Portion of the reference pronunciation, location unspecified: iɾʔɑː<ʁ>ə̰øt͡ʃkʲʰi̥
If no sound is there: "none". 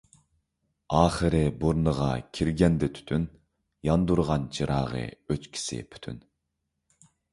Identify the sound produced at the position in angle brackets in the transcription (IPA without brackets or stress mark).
ʁ